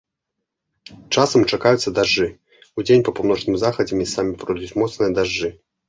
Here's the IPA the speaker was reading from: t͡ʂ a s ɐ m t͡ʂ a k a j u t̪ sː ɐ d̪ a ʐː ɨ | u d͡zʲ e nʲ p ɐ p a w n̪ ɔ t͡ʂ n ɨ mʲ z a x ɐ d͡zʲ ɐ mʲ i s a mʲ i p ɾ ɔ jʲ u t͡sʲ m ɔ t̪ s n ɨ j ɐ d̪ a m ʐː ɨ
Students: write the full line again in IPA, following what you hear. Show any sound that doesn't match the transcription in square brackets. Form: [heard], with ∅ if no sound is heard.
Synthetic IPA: t͡ʂ a s ɐ m t͡ʂ a k a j u t̪ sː ɐ d̪ a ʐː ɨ | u d͡zʲ e nʲ p ɐ p a w n̪ ɔ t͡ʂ n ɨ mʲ z a x ɐ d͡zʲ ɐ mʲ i s a mʲ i p ɾ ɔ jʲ u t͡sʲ m ɔ t̪ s n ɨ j ɐ d̪ a [∅] ʐː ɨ